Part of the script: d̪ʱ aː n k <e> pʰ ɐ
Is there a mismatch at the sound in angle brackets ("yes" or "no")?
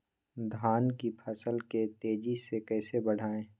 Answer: yes